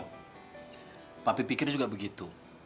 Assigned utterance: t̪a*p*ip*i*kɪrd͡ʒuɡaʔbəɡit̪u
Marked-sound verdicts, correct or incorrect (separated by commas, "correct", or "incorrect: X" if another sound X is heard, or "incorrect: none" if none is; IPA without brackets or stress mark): correct, correct